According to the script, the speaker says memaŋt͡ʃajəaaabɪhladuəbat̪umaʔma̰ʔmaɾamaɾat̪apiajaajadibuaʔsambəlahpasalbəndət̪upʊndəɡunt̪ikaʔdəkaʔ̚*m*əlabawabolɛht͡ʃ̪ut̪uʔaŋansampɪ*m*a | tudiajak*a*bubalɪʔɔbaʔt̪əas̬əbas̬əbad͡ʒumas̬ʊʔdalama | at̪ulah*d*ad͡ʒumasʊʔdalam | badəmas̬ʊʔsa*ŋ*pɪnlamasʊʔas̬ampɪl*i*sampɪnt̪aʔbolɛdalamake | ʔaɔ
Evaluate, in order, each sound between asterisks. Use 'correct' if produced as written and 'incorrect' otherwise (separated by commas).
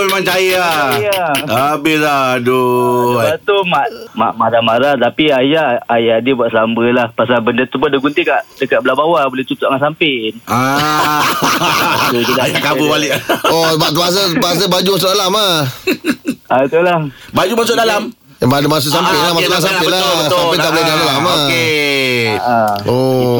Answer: incorrect, incorrect, correct, incorrect, incorrect, incorrect